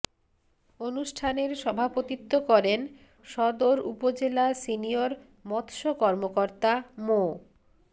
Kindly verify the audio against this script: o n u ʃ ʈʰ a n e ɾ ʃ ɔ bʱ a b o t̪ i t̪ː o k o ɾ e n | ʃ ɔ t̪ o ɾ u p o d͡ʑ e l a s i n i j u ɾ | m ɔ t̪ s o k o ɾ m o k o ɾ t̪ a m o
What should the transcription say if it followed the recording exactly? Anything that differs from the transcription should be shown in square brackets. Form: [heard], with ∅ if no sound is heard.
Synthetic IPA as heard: o n u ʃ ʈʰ a n e ɾ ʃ ɔ bʱ a [p] o t̪ i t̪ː o k [ɔ] ɾ e n | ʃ ɔ [d̪] o ɾ u p o d͡ʑ e l a s i n i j [o] ɾ | m ɔ t̪ [ʃ] o k [ɔ] ɾ m o k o ɾ t̪ a m o

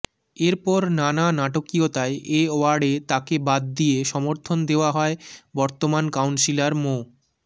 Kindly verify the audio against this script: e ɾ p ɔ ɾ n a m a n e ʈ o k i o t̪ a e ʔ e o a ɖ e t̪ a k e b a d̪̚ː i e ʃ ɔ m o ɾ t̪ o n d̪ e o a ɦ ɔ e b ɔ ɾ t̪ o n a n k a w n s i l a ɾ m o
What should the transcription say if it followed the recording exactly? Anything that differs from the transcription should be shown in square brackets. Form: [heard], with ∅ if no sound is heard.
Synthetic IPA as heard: e ɾ p ɔ ɾ n a [n] a n [a] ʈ o k i o t̪ a e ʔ e o a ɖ e t̪ a k e b a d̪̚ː i e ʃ ɔ m o ɾ [t̪ʰ] o n d̪ e o a ɦ ɔ e b ɔ ɾ t̪ o [m] a n k a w n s i l a ɾ m o

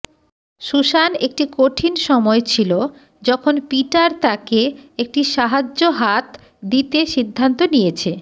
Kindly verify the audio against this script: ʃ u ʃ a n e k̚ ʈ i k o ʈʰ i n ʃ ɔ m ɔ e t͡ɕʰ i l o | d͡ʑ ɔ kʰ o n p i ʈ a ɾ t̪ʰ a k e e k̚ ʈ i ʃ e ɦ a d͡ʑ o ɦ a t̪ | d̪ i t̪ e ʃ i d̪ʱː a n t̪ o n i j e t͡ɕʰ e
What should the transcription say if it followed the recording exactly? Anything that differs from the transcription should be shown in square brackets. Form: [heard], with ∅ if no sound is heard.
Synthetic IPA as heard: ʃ u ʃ a n e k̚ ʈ i k o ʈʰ i n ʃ ɔ m ɔ e t͡ɕʰ i l o | d͡ʑ ɔ kʰ o n p i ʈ a ɾ [t̪] a k e e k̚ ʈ i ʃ [a] ɦ a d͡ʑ o ɦ a t̪ | d̪ i t̪ e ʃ i d̪ʱː a n t̪ o n i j e t͡ɕʰ e

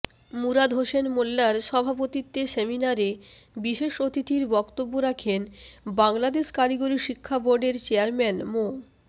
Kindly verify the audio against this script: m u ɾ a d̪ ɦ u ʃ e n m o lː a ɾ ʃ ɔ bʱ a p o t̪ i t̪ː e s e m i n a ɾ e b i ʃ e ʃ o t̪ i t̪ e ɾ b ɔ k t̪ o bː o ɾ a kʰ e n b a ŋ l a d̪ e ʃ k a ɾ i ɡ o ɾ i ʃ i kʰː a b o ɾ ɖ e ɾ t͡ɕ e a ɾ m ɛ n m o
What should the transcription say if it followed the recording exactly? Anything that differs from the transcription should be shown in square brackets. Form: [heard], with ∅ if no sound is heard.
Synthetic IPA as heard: m u ɾ a d̪ ɦ [o] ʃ e n m o lː a ɾ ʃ ɔ bʱ a p o t̪ i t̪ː e s e m i n a ɾ e b i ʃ e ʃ o t̪ i t̪ [i] ɾ b ɔ k t̪ o bː o ɾ a kʰ e n b a ŋ l a d̪ e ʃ k a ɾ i ɡ o ɾ i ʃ i kʰː a b o ɾ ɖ e ɾ t͡ɕ e a ɾ m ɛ n m o

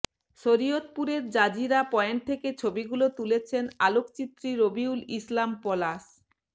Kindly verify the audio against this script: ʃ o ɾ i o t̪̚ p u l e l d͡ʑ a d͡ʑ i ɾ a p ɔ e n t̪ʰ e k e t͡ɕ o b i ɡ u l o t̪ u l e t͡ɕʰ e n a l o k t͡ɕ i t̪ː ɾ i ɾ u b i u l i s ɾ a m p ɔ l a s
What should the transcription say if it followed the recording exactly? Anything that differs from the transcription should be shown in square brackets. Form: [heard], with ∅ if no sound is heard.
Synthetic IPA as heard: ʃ o ɾ i o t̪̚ p u [ɾ] e [ɾ] d͡ʑ a d͡ʑ i ɾ a p ɔ e n t̪ʰ e k e [t͡ɕʰ] o b i ɡ u l o t̪ u l e t͡ɕʰ e n a l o k t͡ɕ i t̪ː ɾ i ɾ [o] b i u l i s [l] a m p ɔ l a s

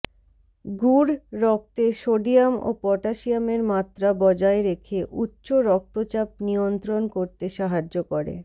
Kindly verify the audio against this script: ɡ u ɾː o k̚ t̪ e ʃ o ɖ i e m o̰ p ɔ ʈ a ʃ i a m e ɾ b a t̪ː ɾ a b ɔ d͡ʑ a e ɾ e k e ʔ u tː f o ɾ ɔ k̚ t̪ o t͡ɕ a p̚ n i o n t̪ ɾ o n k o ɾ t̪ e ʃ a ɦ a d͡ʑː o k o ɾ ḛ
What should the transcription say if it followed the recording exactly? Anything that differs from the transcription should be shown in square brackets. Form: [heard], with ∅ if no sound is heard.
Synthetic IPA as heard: ɡ u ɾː [ɔ] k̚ t̪ e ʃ o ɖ i [a] m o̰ p ɔ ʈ a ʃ i a m e ɾ [m] a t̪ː ɾ a b ɔ d͡ʑ a e ɾ e [kʰ] e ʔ u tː [ɕ] o ɾ ɔ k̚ t̪ o t͡ɕ a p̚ n i o n t̪ ɾ o n k o ɾ t̪ e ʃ a ɦ a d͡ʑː o k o ɾ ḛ

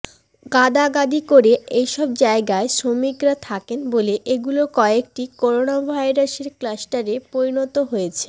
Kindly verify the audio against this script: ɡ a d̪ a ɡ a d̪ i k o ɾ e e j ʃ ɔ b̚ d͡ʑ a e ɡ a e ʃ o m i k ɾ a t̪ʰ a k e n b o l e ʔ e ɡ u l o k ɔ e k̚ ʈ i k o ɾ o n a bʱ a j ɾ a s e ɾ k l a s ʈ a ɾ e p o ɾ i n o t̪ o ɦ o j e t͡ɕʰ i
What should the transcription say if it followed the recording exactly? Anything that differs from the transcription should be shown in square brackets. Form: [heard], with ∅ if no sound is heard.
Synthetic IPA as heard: ɡ a d̪ a ɡ a d̪ i k o ɾ e e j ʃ ɔ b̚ d͡ʑ a e ɡ a e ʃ o m i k ɾ a t̪ʰ a k e n b o l e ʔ e ɡ u l o k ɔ e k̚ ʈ i k o ɾ o n a bʱ a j ɾ a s e ɾ k l a s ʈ a ɾ e p o ɾ i n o t̪ o ɦ o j e t͡ɕʰ [e]

